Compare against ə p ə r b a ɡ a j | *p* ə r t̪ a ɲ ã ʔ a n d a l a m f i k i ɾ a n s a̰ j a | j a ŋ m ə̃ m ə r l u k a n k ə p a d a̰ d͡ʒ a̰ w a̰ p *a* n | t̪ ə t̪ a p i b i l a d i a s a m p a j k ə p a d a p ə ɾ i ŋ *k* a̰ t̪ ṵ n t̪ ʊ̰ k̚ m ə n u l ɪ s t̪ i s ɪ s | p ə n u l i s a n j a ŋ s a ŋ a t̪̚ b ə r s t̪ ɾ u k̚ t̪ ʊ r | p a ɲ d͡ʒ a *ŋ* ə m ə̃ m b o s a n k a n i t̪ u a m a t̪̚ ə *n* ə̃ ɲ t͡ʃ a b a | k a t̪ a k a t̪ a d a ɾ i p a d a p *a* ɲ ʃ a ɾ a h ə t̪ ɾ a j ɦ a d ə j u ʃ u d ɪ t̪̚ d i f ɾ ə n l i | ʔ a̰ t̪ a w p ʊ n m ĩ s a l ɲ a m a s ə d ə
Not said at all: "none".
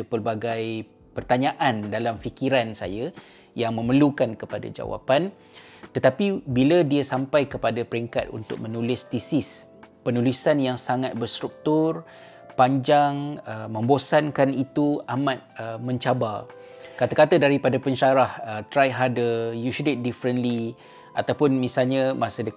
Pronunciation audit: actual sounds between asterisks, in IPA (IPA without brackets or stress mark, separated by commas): p, a, k, ŋ, m, ə